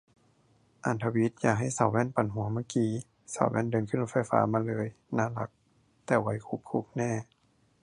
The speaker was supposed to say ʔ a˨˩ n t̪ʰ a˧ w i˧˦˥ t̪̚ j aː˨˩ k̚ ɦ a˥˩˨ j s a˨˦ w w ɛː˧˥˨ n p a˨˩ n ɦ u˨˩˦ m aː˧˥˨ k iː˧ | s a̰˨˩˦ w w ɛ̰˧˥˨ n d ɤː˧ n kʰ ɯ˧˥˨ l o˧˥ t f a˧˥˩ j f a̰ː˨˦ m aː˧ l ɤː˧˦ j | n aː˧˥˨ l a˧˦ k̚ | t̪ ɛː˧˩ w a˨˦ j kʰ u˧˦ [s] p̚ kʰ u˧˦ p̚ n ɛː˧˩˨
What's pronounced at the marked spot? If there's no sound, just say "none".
none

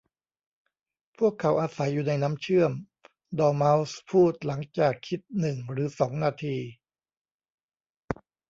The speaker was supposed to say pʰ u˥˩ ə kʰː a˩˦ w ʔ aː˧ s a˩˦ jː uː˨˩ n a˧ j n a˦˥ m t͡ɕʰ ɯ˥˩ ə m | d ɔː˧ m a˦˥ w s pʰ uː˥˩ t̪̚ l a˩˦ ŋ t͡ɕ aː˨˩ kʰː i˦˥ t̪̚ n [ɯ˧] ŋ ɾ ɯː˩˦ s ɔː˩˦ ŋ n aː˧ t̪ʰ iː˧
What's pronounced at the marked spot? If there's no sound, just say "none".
ɯ˨˩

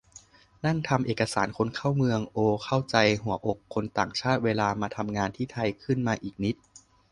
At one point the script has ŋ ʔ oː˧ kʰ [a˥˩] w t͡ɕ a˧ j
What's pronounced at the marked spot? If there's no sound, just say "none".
a˥˩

